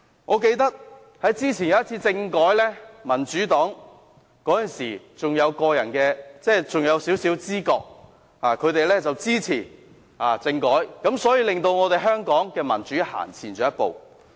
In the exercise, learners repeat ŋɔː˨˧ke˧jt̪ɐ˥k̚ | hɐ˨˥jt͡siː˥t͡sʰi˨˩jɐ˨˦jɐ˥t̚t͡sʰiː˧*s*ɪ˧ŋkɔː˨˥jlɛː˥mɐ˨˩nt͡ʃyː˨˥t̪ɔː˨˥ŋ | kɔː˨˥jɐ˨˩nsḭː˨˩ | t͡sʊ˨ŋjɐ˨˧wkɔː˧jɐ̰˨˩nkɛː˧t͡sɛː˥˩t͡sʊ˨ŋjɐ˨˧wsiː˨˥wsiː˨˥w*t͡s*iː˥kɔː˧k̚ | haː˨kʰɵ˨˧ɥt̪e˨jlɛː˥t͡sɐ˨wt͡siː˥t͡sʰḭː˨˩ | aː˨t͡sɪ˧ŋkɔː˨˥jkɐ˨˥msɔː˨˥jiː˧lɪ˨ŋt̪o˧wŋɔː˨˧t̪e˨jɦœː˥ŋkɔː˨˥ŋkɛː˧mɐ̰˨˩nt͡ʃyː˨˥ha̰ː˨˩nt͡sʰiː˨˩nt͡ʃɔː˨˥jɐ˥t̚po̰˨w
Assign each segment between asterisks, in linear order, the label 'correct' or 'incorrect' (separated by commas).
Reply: incorrect, correct